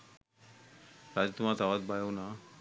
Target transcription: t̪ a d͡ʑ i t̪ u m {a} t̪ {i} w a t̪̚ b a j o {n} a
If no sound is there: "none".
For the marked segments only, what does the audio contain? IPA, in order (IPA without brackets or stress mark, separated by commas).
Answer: a, a, n